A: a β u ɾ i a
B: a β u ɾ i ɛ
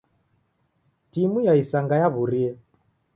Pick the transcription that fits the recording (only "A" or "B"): B